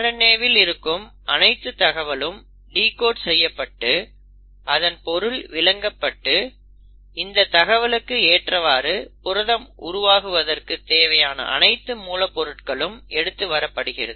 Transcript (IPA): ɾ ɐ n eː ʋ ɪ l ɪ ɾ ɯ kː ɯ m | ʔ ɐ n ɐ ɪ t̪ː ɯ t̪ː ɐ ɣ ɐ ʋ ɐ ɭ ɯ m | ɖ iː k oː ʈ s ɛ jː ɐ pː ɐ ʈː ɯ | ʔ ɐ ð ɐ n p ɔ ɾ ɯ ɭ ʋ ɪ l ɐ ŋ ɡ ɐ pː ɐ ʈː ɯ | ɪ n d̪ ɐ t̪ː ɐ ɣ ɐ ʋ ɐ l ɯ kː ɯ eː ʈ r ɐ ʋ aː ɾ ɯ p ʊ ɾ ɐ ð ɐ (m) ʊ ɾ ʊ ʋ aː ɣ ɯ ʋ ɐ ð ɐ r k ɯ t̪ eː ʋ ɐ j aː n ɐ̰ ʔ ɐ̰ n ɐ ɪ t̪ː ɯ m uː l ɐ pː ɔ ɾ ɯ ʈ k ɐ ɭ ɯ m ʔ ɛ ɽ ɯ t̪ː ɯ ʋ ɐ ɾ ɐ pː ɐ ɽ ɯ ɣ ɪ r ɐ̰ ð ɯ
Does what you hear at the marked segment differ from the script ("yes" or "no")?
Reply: no